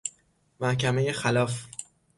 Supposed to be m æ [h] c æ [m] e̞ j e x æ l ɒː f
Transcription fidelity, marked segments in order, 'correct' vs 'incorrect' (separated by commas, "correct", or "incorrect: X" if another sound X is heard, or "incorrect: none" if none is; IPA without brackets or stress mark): correct, correct